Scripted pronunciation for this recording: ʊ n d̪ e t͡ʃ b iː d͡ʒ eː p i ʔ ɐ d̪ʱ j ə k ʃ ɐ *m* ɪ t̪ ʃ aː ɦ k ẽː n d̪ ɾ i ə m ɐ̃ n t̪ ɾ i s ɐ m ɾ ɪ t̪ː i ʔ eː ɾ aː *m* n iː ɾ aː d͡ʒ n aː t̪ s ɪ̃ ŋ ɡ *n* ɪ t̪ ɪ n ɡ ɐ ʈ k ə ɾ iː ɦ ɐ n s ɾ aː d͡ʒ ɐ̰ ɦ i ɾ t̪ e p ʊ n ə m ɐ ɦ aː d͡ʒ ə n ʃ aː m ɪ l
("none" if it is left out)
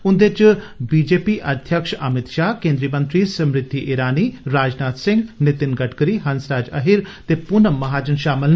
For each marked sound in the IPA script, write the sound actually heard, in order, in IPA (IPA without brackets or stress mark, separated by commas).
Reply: m, none, n